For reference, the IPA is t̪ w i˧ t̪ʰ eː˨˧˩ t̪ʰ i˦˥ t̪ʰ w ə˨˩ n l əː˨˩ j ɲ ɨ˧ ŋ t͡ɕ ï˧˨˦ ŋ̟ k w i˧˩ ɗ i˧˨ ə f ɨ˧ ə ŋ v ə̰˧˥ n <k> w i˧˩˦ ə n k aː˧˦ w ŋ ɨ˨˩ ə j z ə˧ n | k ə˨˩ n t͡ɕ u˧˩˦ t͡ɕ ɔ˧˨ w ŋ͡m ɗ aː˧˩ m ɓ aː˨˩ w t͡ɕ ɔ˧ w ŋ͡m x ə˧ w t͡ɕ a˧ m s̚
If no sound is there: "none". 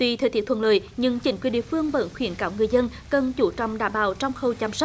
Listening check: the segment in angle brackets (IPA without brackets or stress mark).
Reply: x